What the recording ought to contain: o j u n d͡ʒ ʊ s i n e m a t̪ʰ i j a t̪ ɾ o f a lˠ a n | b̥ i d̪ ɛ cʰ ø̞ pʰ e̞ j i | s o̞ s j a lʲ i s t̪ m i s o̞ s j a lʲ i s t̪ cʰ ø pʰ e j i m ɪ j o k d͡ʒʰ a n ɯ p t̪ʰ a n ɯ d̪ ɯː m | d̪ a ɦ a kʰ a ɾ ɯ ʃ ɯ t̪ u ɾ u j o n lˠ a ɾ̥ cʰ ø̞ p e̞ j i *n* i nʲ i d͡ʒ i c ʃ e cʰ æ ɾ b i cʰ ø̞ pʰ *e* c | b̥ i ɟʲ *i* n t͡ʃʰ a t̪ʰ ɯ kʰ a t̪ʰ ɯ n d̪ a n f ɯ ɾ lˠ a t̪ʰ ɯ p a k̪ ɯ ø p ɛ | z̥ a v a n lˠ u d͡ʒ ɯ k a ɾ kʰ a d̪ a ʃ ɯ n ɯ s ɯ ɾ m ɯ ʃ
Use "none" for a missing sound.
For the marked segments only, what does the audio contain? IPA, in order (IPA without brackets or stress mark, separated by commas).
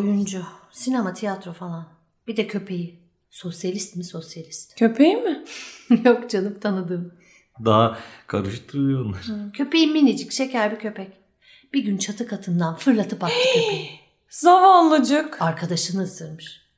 m, ɛ, y